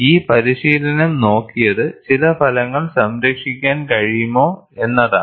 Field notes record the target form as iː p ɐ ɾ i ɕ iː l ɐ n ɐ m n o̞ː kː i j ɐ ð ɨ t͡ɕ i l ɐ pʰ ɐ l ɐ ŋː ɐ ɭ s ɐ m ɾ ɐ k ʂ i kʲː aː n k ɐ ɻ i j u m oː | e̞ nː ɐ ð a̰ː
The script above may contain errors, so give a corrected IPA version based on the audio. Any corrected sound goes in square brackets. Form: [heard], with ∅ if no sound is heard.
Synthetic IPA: iː p ɐ ɾ i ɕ iː l ɐ n ɐ m n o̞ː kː i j ɐ ð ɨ t͡ɕ i l ɐ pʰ ɐ l ɐ ŋː ɐ ɭ s ɐ m ɾ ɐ k ʂ i kʲː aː n k ɐ ɻ i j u m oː | e̞ nː ɐ ð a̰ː